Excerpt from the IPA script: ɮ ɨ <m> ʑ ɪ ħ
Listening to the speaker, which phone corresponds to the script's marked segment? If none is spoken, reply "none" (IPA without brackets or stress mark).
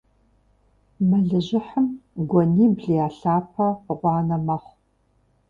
none